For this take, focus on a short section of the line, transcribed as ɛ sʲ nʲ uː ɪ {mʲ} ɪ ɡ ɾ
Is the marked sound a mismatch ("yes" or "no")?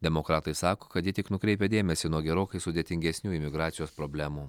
no